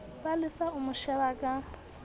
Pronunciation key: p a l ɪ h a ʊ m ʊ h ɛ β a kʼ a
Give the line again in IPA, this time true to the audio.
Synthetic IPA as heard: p a l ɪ s a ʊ m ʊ ʃ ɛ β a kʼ a